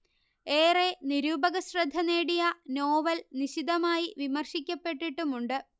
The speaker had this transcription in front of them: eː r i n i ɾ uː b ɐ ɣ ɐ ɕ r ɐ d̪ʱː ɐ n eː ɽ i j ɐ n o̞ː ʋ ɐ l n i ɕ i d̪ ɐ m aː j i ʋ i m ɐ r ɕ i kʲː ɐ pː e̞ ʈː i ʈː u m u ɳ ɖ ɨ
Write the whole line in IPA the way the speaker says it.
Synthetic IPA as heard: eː r e n i ɾ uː b ɐ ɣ ɐ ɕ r ɐ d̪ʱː ɐ n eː ɽ i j ɐ n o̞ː ʋ ɐ l n i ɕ i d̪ ɐ m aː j i ʋ i m ɐ r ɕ i kʲː ɐ pː e̞ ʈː i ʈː u m u ɳ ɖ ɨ